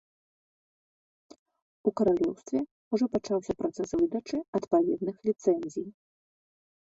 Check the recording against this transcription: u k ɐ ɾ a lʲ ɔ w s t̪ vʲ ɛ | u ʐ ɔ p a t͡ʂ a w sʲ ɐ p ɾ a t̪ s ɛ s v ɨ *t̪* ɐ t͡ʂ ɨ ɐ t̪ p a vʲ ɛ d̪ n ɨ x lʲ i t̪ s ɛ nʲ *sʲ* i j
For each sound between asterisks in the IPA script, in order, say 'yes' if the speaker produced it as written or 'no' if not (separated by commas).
no, no